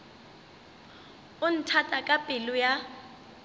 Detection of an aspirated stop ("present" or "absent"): present